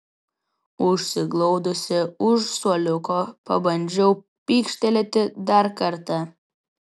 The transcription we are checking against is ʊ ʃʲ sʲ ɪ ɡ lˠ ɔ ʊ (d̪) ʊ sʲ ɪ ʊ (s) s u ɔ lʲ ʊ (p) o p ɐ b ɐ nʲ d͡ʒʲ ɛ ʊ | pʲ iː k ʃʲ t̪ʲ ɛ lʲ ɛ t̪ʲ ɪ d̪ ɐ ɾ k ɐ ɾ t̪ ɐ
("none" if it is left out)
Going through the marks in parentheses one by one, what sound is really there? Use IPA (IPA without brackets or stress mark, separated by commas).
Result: d̪, ʃ, k